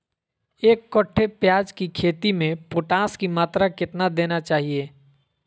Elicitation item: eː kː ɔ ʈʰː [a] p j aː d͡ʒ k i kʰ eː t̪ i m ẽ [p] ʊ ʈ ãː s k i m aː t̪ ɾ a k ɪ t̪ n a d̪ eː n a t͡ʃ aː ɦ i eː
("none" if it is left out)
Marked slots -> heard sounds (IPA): e, p

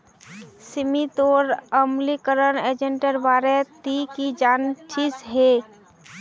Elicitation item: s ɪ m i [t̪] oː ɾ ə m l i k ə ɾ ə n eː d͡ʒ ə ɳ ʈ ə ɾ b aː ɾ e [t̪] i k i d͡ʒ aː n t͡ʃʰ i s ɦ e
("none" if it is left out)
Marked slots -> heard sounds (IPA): t̪, t̪

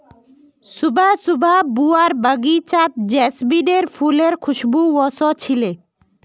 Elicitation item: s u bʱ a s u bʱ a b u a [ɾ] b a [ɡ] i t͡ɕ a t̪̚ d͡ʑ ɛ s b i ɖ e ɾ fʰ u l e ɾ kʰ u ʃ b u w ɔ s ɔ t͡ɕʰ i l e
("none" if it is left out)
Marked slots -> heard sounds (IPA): ɾ, ɡ

